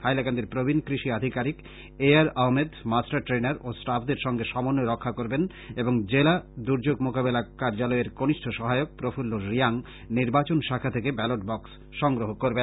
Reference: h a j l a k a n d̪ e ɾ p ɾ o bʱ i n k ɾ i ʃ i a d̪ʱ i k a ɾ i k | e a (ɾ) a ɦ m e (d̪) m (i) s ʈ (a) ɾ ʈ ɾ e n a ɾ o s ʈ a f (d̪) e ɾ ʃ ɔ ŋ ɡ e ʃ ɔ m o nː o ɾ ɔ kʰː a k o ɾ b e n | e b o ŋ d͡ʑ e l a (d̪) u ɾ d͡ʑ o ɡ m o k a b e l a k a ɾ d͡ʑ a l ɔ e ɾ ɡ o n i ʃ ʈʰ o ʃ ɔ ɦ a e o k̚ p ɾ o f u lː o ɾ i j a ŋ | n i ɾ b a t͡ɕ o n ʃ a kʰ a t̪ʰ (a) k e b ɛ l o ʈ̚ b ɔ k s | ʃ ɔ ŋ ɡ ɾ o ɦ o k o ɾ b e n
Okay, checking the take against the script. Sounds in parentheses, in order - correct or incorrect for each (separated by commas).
correct, correct, incorrect, correct, correct, correct, incorrect